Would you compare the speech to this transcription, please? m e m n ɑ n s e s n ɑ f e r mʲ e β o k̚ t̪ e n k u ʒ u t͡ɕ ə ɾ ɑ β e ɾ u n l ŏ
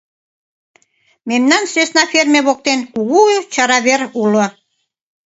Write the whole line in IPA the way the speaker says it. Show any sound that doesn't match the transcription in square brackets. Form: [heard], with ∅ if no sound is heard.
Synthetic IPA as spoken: m e m n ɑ n s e s n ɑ f e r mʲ e β o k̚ t̪ e n k u [ɣ] u t͡ɕ [ɑ] ɾ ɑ β e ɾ u [∅] l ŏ